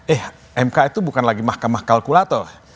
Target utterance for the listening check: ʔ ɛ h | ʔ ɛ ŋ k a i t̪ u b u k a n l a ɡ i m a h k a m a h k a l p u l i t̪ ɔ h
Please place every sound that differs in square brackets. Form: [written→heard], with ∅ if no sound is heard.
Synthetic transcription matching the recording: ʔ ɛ h | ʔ ɛ [ŋ→m] k a i t̪ u b u k a n l a ɡ i m a h k a m a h k a l [p→k] u l [i→a] t̪ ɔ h